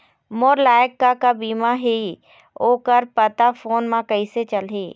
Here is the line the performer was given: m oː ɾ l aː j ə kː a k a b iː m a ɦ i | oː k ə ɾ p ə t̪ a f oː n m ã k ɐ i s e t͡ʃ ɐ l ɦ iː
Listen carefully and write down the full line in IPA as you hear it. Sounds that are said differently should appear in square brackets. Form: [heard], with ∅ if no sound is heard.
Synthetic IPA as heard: m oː ɾ l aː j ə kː a k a b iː m a ɦ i | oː k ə ɾ p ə t̪ a f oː n m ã k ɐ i s e t͡ʃ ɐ l ɦ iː